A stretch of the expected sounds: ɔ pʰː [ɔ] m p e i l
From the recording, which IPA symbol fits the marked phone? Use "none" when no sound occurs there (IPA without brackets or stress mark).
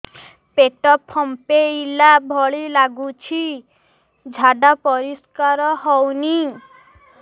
ɔ